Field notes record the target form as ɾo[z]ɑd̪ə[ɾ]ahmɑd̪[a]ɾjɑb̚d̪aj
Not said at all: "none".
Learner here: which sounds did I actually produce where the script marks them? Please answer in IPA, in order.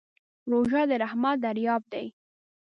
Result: ʒ, ɾ, a

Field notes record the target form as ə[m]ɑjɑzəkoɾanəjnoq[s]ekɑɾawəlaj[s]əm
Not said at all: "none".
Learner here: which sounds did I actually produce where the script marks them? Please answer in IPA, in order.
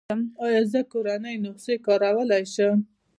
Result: m, s, ʃ

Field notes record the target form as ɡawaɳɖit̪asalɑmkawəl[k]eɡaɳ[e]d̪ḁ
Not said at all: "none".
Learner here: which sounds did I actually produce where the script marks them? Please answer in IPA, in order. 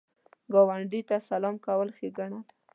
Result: x, a

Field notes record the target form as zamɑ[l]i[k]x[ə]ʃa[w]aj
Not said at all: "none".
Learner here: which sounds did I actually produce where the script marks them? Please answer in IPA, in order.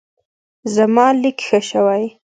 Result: l, k, ə, w

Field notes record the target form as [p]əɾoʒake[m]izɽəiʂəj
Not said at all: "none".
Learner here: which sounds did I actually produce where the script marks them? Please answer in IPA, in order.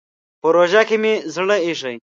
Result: p, m

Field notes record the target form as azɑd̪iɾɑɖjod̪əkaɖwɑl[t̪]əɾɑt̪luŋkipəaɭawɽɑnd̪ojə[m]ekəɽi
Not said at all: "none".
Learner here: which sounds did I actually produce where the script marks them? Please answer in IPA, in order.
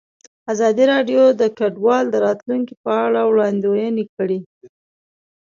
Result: d̪, n

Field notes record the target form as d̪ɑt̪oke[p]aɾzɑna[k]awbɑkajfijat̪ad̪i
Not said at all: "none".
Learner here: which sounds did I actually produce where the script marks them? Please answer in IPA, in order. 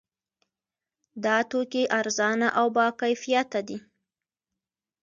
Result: ʔ, ʔ

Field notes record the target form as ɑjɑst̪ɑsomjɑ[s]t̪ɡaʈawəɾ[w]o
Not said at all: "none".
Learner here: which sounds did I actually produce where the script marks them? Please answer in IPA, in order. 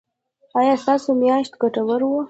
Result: ʃ, w

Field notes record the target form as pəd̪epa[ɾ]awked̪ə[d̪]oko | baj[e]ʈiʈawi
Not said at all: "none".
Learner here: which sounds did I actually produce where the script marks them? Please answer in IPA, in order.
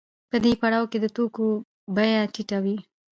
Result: ɽ, t̪, a

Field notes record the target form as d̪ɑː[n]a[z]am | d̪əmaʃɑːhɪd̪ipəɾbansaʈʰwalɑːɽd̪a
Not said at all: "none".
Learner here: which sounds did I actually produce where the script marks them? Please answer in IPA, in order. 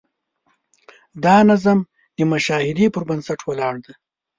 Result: n, z

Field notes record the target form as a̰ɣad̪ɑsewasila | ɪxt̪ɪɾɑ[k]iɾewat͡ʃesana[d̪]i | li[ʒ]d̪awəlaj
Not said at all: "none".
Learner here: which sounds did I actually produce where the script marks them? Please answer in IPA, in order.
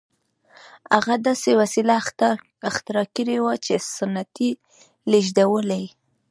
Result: k, t̪, ʒ

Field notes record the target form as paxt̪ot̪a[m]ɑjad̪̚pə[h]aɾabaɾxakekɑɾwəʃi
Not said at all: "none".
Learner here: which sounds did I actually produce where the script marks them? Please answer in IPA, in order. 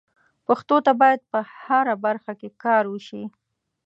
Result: b, h

